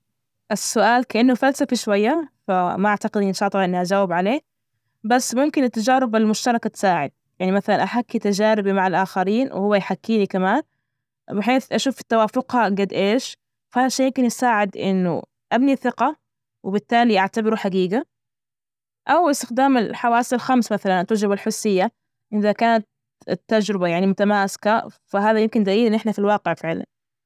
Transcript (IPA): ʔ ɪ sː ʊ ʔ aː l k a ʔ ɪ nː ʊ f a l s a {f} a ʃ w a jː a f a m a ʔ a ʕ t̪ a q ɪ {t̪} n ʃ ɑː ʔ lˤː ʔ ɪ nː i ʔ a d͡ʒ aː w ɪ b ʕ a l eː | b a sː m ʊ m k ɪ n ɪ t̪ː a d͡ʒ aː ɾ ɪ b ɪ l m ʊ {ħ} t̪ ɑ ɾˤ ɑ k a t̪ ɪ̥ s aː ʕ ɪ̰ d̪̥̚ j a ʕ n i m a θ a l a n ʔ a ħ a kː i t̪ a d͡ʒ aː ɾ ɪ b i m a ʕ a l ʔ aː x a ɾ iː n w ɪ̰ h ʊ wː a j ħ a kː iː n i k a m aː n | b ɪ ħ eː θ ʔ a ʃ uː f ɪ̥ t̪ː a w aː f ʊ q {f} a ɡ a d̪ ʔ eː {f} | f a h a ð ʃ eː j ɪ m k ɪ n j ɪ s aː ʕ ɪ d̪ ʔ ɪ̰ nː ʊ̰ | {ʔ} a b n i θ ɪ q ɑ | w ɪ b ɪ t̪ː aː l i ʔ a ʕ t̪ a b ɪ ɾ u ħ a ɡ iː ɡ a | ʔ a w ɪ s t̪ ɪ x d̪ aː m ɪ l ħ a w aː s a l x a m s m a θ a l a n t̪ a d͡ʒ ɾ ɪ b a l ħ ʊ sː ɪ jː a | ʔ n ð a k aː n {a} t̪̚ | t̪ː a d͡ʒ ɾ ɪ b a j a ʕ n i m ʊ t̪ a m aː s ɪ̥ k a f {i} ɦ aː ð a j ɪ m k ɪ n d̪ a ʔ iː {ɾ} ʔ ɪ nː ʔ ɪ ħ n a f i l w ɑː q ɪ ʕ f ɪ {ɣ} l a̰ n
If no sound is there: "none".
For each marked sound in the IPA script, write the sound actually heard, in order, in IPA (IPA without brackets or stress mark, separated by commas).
f, d̪, ʃ, h, ʃ, ʔ, a, a, l, ʕ